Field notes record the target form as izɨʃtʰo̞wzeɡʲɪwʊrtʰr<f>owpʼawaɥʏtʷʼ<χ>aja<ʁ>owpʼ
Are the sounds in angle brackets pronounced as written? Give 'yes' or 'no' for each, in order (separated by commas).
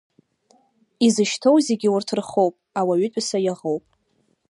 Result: no, no, yes